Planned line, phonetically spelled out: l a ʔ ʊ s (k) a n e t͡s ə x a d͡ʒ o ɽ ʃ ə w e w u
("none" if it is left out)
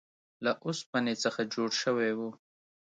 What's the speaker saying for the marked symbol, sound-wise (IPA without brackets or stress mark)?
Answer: p